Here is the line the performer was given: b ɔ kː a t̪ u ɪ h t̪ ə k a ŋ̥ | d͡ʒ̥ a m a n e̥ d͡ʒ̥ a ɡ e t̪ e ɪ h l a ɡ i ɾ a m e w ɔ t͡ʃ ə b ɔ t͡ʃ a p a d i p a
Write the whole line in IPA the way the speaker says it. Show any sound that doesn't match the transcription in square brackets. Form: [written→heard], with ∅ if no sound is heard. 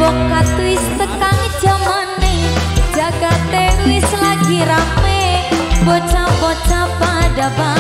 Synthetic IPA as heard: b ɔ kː a t̪ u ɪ [h→s] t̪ ə k a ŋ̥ | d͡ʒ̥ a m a n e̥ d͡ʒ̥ a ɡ [e→a] t̪ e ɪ [h→s] l a ɡ i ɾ a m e [w→b] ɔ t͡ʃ [ə→a] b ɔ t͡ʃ a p a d [i→a] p a